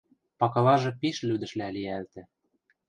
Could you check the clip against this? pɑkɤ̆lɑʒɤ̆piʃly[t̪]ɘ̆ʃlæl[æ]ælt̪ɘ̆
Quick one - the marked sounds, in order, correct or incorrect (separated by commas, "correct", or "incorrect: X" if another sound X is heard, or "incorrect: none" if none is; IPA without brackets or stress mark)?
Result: incorrect: d̪, incorrect: i